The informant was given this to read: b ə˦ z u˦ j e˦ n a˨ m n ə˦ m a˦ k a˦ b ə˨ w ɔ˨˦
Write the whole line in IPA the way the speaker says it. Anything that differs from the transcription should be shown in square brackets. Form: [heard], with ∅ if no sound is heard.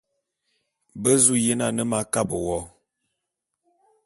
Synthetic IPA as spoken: b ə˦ z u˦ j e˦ n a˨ [∅] n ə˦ m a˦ k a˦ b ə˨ w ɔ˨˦

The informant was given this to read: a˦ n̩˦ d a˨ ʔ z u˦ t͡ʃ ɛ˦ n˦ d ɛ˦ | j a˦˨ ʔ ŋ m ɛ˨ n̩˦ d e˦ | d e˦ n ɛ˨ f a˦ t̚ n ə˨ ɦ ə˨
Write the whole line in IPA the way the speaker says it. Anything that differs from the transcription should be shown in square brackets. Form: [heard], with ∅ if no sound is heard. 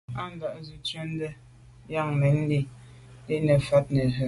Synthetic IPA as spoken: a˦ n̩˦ d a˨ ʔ z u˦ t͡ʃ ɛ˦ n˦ d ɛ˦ | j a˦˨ [∅] ŋ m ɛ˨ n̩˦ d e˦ | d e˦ n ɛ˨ f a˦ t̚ n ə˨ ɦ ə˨

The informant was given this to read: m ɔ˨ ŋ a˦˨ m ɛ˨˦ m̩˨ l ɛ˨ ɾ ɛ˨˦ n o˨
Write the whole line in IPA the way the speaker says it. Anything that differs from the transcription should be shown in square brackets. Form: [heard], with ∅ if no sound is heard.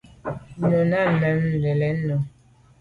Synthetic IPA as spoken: [n] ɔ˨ [n] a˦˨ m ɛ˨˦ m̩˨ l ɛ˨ [l] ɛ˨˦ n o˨

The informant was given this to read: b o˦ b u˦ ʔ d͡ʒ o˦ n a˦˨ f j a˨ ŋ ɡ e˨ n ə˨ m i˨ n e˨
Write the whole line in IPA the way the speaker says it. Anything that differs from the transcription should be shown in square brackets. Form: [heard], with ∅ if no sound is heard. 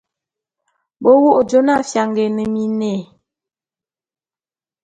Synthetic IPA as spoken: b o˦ [w] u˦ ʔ d͡ʒ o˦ n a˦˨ f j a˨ ŋ ɡ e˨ n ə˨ m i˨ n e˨

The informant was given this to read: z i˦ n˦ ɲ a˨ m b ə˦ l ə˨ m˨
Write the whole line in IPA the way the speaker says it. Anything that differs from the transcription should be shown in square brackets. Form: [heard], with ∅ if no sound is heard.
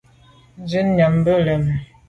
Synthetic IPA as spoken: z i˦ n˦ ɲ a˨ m b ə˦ l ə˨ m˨

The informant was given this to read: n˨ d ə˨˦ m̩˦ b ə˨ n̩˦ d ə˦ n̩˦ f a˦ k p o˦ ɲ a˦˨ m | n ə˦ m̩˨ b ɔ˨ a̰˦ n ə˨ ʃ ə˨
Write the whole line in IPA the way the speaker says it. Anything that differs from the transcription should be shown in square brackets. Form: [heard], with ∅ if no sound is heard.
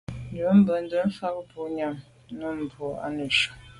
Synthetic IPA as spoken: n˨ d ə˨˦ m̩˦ b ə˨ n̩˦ d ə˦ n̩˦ f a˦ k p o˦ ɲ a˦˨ m | n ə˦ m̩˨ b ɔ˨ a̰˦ n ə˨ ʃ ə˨

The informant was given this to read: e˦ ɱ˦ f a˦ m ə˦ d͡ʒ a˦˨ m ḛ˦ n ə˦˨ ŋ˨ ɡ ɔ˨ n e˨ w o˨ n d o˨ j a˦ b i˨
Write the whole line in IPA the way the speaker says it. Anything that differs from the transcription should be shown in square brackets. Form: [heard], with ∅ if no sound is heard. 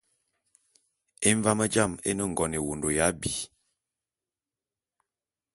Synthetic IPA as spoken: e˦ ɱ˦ [v] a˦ m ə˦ d͡ʒ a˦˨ m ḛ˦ n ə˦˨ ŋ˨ ɡ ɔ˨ n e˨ w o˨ n d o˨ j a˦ b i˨

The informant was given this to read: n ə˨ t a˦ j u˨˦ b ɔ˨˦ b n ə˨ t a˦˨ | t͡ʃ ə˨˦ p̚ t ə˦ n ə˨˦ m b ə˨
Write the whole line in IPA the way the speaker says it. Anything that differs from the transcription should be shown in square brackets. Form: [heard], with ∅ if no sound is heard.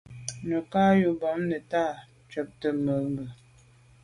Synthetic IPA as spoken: n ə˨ [k] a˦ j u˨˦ b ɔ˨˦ [m] n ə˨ t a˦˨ | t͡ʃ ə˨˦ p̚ t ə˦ [m] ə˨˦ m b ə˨

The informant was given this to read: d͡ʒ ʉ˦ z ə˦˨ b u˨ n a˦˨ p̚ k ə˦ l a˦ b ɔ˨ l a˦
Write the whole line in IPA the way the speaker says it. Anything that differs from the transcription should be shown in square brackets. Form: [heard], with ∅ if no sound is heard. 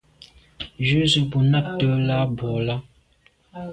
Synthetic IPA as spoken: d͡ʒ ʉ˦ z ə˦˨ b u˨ n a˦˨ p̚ [t] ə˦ l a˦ b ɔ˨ l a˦

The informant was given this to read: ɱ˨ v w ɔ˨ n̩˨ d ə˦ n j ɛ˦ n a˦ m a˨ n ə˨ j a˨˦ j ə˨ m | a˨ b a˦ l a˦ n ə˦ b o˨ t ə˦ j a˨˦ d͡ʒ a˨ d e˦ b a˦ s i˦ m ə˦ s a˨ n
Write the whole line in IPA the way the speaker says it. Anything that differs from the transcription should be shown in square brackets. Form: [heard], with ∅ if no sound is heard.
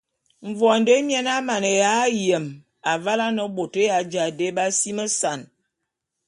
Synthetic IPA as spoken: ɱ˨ v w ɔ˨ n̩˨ d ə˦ [m] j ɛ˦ n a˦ m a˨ n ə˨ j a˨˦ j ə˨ m | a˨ [v] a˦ l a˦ n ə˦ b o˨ t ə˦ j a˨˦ d͡ʒ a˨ d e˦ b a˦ s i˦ m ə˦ s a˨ n

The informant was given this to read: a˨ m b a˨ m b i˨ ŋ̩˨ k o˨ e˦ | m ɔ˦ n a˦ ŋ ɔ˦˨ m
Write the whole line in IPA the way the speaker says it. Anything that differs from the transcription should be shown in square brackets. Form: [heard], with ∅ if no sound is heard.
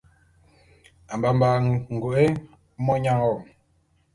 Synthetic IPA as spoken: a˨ m b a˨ m b [a˨] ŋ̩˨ [ɡ] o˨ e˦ | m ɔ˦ [ɲ] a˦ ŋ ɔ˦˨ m

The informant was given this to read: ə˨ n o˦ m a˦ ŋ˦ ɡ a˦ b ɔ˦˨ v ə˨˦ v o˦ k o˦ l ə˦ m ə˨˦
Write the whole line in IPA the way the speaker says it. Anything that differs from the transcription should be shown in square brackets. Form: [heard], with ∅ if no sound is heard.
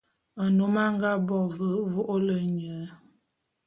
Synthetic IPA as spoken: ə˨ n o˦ m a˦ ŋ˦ ɡ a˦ b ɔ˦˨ v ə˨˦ v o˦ [ʔ] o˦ l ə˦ [ɲ] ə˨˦

